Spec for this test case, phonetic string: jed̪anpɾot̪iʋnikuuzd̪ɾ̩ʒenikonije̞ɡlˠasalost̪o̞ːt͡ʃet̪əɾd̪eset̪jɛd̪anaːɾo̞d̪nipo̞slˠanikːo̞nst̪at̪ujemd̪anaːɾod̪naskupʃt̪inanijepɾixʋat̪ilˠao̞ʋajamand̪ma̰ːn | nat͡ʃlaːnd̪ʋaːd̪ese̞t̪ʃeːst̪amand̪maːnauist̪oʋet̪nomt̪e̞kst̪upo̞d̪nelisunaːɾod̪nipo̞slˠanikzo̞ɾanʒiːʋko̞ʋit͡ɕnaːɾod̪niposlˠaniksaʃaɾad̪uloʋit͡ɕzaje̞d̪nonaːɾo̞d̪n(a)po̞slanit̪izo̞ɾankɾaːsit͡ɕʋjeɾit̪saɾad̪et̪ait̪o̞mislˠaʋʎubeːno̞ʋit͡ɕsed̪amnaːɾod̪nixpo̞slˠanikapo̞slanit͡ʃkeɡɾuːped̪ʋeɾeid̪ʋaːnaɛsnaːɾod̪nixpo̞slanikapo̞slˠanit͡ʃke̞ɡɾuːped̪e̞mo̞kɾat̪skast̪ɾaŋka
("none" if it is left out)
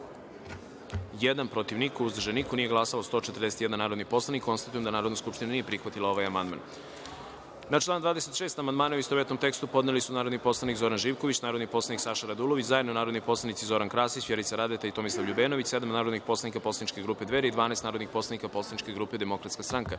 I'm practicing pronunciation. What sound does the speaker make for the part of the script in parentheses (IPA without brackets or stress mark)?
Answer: i